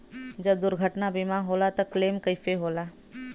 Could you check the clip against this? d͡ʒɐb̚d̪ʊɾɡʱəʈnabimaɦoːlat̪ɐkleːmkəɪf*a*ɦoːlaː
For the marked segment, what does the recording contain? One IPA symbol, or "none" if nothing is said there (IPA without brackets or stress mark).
e